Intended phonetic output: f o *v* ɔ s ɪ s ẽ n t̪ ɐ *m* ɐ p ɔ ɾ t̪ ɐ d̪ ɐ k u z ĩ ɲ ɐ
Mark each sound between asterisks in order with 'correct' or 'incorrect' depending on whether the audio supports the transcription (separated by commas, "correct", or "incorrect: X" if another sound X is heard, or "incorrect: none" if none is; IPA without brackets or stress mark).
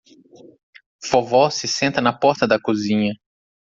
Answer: correct, incorrect: n